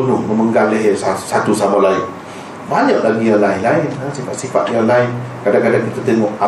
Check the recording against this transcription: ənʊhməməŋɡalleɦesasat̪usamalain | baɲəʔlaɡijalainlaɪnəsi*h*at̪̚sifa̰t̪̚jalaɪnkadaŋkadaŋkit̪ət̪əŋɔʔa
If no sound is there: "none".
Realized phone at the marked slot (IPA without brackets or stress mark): f